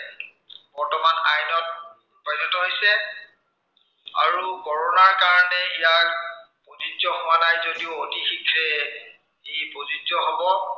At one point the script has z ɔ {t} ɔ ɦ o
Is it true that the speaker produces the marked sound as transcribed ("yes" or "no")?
yes